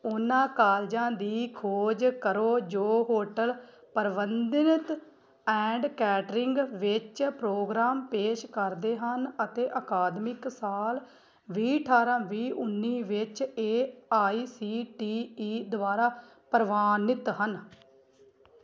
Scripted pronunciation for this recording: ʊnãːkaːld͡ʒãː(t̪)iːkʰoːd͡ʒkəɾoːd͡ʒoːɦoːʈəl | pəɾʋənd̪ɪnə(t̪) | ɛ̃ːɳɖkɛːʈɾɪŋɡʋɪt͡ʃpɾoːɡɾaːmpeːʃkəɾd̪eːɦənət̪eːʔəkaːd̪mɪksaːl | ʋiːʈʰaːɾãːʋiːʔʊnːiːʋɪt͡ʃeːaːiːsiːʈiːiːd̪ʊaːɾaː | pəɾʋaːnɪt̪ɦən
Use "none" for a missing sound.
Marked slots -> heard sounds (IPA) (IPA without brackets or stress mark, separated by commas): d̪, t̪